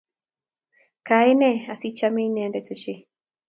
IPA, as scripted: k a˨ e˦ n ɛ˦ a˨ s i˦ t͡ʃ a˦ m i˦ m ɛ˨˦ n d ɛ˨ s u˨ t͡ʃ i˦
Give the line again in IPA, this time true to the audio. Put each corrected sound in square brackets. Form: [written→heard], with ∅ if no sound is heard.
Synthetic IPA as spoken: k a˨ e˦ n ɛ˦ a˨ s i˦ t͡ʃ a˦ m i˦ [m→n] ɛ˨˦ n d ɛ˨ [s→t] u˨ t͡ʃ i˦